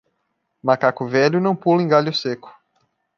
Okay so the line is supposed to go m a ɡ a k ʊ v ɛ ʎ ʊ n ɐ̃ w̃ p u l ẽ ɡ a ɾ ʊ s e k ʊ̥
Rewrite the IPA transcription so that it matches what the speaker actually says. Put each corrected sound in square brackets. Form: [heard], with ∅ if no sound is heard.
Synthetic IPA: m a [k] a k ʊ v ɛ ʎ ʊ n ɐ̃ w̃ p u l ẽ ɡ a [ʎ] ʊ s e k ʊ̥